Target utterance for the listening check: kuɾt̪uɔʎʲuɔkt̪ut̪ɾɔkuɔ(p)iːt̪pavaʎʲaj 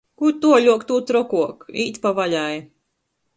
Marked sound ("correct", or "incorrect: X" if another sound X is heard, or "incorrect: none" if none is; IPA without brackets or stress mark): incorrect: k